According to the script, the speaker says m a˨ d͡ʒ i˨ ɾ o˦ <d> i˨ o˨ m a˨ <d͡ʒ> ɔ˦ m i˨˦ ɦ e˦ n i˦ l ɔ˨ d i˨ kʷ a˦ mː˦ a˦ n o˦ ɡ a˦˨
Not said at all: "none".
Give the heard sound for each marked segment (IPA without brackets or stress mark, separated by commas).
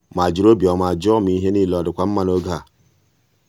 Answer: b, d͡ʒ